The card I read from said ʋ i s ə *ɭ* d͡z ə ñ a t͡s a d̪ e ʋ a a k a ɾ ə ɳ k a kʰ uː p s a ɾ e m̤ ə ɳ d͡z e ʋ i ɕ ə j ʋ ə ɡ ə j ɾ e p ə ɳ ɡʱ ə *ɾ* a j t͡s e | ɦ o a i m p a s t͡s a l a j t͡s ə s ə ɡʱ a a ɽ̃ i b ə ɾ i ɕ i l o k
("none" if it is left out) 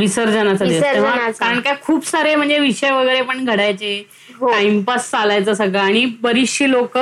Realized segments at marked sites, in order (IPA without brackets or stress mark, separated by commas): ɾ, ɽ